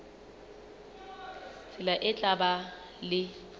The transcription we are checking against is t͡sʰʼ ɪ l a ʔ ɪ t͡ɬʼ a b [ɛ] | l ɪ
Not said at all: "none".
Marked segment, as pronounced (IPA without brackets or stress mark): a